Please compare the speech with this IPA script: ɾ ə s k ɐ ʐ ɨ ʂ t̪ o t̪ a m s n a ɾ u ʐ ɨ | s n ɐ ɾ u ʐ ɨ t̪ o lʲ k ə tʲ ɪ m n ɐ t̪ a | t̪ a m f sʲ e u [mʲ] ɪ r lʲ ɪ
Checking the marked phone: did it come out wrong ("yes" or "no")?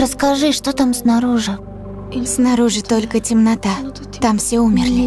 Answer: no